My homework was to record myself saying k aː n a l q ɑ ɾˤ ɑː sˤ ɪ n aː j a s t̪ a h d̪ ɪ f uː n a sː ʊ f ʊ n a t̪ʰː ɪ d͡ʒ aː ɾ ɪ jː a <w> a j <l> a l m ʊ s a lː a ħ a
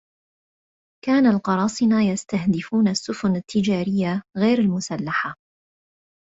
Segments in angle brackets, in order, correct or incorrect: incorrect, incorrect

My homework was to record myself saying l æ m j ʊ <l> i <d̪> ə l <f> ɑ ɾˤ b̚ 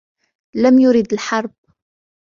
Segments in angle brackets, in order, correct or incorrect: incorrect, correct, incorrect

